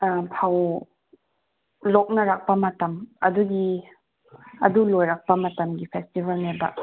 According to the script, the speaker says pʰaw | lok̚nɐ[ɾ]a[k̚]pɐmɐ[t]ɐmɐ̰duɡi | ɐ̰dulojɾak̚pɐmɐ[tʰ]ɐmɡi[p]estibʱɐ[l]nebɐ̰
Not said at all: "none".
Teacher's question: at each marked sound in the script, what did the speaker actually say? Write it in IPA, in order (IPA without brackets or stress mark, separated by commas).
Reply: ɾ, k̚, t, t, pʰ, l